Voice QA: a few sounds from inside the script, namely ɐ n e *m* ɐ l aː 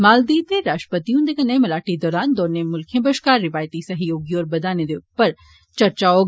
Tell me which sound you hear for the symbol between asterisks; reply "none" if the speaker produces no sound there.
m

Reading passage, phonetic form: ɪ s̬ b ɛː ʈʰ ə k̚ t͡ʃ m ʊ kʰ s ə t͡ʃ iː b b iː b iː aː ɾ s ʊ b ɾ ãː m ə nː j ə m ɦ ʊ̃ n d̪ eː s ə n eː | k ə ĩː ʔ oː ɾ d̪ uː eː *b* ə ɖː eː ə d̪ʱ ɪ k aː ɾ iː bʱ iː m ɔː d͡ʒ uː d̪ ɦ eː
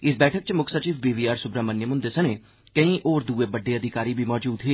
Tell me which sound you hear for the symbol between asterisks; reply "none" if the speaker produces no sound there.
b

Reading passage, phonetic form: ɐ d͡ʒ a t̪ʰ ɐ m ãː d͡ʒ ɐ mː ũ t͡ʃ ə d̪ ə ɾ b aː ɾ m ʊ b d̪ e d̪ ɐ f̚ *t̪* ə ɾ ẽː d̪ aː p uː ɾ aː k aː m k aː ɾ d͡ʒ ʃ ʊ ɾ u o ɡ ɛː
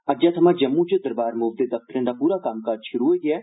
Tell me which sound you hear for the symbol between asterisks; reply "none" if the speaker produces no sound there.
t̪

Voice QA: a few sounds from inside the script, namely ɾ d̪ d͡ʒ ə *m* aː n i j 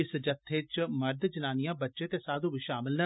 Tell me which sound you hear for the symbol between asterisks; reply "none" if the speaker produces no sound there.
n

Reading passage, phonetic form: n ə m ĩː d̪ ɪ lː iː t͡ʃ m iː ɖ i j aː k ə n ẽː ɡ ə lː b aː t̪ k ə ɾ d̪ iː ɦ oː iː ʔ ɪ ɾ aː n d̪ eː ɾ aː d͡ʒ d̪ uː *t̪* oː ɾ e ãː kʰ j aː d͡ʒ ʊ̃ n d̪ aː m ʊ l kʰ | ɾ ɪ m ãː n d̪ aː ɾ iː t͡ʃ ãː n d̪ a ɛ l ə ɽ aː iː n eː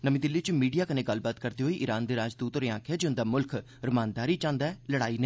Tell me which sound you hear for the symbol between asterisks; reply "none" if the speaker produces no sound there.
t̪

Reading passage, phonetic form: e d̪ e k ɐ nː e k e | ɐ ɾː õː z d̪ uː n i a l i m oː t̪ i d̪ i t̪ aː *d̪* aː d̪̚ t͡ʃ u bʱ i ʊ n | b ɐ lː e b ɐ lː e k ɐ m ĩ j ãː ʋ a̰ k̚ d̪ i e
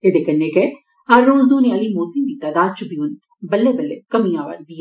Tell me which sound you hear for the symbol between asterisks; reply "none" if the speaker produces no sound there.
d̪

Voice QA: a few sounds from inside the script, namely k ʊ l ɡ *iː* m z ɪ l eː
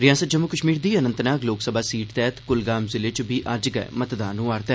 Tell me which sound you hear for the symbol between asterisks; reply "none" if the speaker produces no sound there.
aː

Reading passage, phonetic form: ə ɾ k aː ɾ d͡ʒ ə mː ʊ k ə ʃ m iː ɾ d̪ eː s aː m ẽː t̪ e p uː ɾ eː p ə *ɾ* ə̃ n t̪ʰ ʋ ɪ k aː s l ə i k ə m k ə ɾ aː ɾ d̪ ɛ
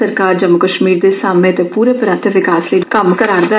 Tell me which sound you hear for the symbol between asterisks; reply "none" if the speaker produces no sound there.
ɾ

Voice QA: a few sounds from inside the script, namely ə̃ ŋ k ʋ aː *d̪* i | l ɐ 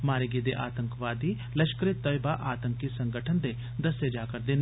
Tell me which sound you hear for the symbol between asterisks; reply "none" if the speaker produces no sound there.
d̪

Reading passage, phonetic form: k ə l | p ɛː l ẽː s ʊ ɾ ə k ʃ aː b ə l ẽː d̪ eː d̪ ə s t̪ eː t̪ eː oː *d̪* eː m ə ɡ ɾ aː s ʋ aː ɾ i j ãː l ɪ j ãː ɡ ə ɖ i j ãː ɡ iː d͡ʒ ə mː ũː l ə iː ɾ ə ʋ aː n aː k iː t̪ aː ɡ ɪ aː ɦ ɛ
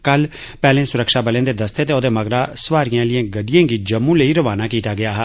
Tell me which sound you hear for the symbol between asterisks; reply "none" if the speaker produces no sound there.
d̪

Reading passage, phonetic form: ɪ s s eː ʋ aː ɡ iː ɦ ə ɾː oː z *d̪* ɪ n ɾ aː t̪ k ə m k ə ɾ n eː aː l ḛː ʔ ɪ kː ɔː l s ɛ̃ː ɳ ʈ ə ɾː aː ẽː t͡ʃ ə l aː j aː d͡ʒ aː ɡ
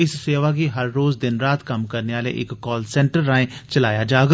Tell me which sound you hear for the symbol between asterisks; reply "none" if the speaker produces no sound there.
d̪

